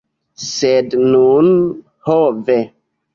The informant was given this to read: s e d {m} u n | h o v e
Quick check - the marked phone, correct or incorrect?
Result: incorrect